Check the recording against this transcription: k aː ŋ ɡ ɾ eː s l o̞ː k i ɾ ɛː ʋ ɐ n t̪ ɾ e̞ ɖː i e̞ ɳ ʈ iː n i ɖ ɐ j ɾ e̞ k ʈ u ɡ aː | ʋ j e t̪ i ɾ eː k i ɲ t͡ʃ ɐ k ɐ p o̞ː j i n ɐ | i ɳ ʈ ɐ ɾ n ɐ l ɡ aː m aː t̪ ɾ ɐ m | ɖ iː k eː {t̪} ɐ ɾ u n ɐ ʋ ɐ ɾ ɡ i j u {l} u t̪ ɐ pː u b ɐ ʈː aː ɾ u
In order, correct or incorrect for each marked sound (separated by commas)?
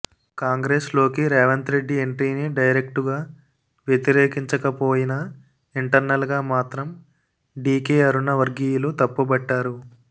incorrect, correct